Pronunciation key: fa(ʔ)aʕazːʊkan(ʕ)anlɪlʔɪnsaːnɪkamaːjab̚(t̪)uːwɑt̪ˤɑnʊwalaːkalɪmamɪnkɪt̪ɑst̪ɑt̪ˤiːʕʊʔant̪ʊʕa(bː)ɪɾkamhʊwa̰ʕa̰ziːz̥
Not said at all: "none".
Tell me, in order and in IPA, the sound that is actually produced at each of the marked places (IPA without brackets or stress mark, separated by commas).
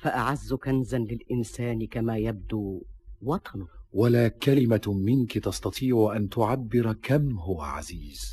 ʔ, z, d̪, bː